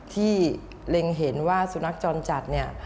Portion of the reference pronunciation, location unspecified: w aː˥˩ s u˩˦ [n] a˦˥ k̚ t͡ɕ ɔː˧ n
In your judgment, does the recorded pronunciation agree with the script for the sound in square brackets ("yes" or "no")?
yes